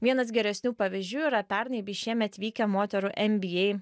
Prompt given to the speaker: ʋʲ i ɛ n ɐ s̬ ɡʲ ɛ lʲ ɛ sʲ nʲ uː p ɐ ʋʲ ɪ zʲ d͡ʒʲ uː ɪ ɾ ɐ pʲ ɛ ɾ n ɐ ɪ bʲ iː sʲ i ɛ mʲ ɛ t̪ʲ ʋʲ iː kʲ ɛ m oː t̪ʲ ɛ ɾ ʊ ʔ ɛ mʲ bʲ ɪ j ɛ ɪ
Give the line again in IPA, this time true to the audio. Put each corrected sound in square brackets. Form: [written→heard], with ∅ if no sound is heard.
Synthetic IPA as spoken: ʋʲ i ɛ n ɐ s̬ ɡʲ ɛ [lʲ→ɾʲ] ɛ sʲ nʲ uː p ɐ ʋʲ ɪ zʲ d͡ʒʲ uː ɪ ɾ ɐ pʲ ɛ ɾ n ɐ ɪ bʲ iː [sʲ→ʃʲ] i ɛ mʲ ɛ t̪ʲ ʋʲ iː kʲ ɛ m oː t̪ʲ ɛ ɾ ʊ ʔ ɛ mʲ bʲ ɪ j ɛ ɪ